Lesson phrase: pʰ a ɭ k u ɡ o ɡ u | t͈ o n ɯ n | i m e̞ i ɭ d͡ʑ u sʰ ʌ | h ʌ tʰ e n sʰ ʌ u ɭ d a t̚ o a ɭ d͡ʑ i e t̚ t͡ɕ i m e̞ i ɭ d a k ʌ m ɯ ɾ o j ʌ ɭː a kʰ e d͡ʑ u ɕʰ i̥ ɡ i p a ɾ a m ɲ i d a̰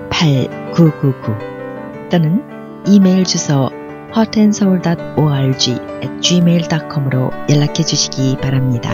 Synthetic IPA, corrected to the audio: pʰ a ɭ k u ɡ u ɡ u | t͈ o n ɯ n | i m e̞ i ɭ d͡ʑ u sʰ ʌ | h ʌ tʰ e n sʰ ʌ u ɭ d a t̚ o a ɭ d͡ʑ i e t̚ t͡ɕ i m e̞ i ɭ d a kʰ ʌ m ɯ ɾ o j ʌ ɭː a kʰ e d͡ʑ u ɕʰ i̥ ɡ i p a ɾ a m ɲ i d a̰